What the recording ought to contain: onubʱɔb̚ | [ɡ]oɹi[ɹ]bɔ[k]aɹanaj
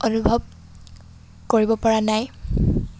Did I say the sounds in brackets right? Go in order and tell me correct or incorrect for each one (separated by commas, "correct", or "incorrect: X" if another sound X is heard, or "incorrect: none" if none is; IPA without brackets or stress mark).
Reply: incorrect: k, incorrect: none, incorrect: p